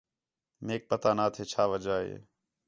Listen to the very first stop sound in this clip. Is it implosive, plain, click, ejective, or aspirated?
plain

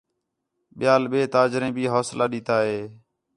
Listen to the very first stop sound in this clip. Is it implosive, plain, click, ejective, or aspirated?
implosive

